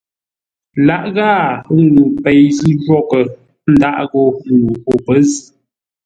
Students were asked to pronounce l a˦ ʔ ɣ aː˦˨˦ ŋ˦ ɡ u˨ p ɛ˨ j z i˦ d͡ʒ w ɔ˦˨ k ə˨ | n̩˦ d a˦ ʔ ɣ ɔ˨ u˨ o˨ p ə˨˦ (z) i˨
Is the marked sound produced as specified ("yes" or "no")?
yes